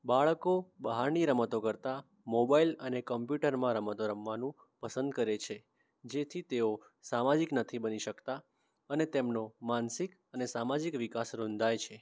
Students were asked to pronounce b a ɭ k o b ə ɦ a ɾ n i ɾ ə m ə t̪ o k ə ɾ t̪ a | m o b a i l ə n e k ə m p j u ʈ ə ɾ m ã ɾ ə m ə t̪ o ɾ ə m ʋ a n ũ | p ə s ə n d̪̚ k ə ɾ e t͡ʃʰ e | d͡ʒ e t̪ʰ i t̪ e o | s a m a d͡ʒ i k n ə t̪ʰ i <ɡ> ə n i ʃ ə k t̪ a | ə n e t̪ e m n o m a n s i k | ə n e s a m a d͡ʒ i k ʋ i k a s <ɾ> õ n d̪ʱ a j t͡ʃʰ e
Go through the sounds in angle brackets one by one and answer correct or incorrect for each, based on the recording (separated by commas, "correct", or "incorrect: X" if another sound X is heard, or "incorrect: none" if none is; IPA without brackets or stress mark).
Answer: incorrect: b, correct